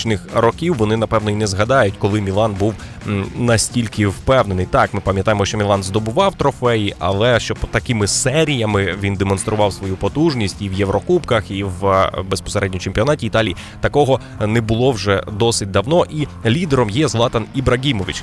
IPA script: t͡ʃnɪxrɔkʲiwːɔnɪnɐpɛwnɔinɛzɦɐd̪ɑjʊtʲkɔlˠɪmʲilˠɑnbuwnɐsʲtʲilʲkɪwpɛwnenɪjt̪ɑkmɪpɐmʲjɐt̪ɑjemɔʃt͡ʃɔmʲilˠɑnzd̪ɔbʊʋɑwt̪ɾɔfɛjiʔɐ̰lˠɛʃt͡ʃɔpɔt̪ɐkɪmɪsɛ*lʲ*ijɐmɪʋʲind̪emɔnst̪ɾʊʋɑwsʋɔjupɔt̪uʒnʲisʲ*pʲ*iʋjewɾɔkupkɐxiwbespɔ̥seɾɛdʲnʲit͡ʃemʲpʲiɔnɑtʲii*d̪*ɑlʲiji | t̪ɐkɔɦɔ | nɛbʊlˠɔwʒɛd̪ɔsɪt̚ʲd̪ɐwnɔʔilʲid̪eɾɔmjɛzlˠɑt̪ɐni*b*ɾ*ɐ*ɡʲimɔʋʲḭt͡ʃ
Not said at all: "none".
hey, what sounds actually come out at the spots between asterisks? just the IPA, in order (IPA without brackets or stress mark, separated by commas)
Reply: ɾʲ, tʲ, t̪, b, ɐ